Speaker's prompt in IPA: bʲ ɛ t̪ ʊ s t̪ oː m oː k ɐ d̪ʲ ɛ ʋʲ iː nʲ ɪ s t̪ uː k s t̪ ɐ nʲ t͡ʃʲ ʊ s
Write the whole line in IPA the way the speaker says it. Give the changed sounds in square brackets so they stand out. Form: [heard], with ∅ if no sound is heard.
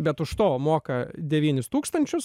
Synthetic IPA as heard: bʲ ɛ t̪ ʊ [ʃ] t̪ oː m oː k ɐ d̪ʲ ɛ ʋʲ iː nʲ ɪ s t̪ uː k s t̪ ɐ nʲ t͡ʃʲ ʊ s